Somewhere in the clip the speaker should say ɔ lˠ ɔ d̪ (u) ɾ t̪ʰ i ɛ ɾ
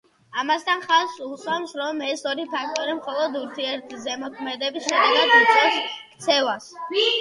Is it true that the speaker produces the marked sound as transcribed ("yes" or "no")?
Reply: yes